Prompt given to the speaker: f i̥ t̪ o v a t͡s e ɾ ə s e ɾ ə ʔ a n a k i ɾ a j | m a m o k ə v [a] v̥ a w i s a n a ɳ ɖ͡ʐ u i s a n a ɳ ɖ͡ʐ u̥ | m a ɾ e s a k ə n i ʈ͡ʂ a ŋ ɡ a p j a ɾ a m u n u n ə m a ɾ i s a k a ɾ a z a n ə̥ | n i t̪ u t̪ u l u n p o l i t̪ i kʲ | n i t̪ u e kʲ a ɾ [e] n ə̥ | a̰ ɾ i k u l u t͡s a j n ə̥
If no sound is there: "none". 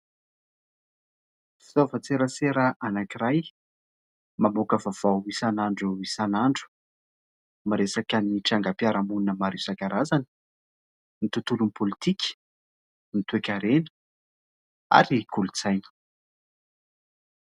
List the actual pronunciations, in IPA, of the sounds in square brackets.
a, e

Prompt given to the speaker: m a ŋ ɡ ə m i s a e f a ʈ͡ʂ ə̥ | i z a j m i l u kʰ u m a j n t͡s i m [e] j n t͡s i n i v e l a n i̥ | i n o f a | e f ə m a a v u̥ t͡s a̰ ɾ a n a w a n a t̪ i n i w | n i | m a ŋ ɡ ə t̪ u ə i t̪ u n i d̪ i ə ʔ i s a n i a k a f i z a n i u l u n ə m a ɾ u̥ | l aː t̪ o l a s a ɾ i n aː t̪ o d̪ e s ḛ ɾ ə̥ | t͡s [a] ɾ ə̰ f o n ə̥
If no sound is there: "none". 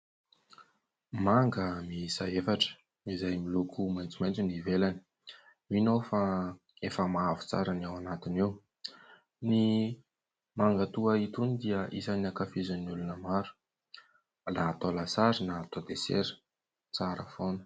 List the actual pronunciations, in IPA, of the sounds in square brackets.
a, a

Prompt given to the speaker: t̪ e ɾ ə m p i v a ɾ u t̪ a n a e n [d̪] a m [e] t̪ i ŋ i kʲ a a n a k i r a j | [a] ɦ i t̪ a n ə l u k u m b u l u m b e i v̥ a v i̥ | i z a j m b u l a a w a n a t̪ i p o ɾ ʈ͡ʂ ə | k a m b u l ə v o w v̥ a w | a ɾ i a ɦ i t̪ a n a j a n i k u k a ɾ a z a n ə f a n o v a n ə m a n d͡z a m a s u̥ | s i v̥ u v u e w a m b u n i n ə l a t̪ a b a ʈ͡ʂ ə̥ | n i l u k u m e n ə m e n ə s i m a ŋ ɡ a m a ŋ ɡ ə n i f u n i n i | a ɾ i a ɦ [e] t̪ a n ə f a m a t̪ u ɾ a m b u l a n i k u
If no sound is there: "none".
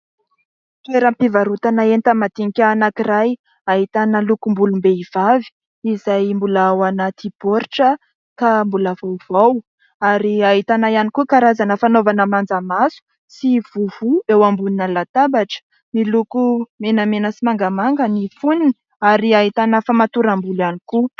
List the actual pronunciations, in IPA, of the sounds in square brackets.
t̪, a, a, i

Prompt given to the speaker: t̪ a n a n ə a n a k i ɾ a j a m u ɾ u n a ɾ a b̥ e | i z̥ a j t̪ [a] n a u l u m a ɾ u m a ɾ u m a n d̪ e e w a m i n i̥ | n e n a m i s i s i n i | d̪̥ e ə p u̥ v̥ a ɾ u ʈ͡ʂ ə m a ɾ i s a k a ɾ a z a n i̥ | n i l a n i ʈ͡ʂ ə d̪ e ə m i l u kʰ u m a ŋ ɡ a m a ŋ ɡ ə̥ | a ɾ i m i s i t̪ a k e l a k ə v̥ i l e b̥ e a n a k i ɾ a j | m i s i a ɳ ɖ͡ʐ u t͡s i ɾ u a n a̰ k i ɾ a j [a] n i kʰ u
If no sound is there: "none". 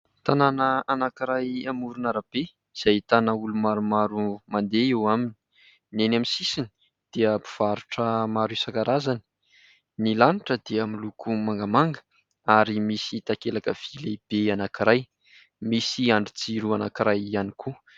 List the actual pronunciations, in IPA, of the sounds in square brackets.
a, a

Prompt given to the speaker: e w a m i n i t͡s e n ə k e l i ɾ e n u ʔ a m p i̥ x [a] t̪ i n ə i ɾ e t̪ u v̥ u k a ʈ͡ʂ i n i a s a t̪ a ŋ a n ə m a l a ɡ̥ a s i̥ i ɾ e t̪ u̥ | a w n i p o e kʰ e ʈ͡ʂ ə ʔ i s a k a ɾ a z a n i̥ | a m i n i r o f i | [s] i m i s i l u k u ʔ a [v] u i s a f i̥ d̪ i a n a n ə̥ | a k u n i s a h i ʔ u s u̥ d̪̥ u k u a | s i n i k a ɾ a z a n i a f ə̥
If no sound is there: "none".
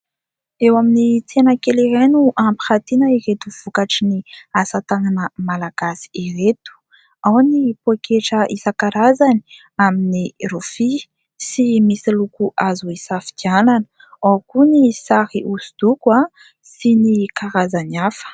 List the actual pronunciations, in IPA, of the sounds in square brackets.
a, s, z

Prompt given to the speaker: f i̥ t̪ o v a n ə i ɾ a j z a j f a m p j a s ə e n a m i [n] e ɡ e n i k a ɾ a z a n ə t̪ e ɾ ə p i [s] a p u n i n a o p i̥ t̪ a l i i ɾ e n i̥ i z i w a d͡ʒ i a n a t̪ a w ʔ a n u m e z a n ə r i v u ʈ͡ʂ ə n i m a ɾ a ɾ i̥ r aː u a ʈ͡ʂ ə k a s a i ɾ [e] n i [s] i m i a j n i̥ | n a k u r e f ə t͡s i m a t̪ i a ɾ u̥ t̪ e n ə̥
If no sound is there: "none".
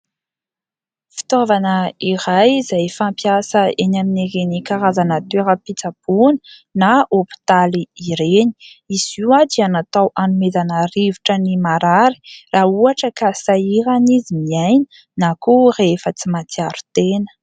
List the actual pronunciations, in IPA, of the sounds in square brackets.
n, t͡s, a, z

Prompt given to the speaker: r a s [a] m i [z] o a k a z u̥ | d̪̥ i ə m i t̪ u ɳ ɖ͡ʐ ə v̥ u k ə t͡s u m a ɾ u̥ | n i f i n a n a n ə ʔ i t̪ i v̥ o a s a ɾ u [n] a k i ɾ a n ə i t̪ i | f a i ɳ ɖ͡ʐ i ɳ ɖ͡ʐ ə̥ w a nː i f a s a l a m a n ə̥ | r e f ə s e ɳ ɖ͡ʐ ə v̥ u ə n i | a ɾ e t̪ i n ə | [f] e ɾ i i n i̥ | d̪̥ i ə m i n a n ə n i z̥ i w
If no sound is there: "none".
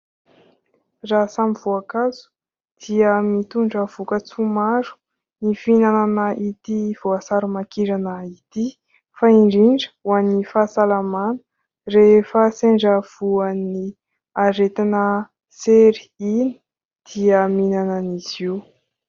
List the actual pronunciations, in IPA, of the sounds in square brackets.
a, v, m, s

